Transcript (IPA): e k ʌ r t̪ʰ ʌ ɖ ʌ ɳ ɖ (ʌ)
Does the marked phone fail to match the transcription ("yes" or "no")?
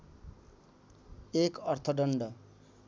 no